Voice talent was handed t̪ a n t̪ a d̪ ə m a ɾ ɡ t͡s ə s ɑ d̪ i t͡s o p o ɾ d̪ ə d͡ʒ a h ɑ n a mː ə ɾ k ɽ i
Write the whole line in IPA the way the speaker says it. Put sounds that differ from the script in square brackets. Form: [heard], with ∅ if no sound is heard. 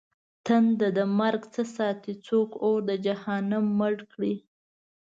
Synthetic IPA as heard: t̪ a n [d̪] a d̪ ə m a ɾ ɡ t͡s ə s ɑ [t̪] i t͡s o [k] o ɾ d̪ ə d͡ʒ a h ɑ n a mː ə [ɽ] k ɽ i